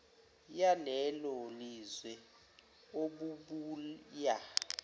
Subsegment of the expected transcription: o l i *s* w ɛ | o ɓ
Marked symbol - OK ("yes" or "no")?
no